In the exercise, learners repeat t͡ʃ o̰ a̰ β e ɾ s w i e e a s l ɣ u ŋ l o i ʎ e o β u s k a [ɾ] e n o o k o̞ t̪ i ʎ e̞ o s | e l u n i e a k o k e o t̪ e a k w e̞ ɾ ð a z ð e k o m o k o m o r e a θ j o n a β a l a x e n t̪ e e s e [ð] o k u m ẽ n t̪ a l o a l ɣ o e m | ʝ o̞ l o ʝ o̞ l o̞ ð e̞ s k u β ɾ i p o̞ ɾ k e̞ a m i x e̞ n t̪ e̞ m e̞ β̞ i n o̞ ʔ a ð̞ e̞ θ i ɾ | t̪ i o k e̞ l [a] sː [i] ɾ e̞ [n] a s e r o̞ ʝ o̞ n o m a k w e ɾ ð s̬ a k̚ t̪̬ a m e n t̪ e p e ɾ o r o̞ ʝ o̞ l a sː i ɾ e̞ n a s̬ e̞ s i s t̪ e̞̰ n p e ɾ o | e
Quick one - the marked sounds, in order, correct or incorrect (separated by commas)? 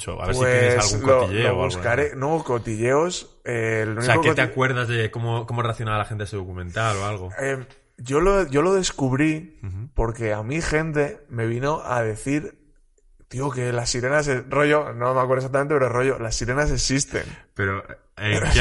correct, correct, correct, correct, correct